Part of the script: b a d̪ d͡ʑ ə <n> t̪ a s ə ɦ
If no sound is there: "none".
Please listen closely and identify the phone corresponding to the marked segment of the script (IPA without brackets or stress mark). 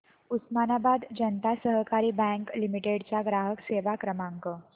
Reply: n